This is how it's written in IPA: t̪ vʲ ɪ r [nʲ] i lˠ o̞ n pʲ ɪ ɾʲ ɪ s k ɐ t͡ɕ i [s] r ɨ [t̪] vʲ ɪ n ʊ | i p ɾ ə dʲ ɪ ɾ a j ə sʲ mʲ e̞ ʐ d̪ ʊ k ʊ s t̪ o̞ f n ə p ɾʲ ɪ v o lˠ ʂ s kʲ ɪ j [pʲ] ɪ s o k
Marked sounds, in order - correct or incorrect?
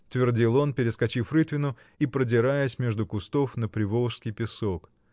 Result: incorrect, incorrect, correct, correct

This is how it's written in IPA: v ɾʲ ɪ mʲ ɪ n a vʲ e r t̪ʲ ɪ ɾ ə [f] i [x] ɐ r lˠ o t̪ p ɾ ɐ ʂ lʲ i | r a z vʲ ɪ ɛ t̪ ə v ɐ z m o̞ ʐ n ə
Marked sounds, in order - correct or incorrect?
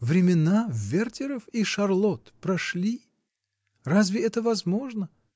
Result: correct, incorrect

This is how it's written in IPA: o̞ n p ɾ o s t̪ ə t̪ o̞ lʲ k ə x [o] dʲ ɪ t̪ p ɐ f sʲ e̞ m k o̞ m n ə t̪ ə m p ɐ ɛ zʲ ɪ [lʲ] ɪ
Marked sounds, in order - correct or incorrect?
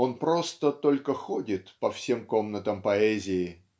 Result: correct, incorrect

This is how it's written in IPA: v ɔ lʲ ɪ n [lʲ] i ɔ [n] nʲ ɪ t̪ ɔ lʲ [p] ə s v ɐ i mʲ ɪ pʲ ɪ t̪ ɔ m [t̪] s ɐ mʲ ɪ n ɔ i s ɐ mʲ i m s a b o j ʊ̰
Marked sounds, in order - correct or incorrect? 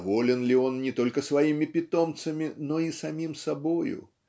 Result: correct, correct, incorrect, correct

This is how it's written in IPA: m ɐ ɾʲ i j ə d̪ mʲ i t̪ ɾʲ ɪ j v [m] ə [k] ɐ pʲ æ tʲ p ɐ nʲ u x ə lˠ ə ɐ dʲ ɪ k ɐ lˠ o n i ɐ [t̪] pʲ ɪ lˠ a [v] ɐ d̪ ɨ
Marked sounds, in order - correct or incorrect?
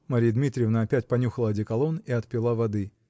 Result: incorrect, incorrect, correct, correct

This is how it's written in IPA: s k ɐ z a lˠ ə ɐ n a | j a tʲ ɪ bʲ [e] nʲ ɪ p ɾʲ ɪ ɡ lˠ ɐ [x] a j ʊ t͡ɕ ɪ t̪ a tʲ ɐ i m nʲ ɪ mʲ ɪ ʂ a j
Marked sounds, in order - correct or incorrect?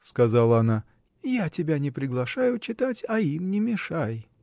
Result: incorrect, incorrect

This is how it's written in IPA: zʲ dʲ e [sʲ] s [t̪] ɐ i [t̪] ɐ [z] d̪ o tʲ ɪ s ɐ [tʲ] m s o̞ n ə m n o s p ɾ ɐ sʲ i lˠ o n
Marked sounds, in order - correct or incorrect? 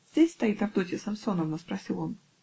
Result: correct, correct, correct, incorrect, incorrect

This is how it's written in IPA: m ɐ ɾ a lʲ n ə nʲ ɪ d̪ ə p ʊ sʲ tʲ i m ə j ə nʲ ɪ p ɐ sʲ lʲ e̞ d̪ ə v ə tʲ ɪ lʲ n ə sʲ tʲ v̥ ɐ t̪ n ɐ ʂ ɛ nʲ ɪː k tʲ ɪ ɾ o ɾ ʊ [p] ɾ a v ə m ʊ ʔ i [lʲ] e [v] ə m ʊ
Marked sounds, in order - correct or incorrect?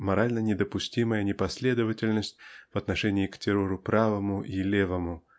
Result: correct, correct, correct

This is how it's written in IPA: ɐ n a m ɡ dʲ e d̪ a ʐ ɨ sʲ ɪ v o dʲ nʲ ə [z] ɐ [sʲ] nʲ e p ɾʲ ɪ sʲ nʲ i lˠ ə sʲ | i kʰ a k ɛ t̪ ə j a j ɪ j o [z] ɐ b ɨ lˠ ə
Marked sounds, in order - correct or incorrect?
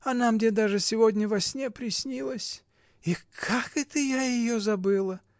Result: incorrect, correct, correct

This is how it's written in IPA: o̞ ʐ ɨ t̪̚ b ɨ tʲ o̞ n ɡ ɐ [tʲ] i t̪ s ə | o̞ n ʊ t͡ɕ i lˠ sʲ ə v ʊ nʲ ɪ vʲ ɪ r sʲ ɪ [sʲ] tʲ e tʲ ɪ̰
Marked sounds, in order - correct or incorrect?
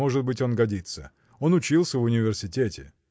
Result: incorrect, incorrect

